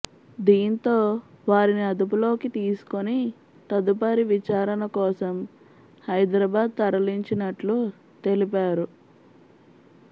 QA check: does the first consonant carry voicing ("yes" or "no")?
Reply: yes